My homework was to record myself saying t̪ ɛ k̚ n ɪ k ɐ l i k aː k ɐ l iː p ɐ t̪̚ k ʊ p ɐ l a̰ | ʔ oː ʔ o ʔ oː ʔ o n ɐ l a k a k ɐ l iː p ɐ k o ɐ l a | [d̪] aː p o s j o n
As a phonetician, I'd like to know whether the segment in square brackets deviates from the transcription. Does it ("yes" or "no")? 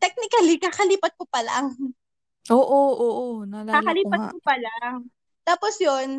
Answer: yes